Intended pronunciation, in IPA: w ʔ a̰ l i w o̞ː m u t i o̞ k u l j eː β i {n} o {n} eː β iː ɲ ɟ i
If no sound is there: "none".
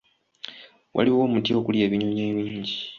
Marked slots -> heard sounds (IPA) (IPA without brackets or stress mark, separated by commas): ɲ, ɲ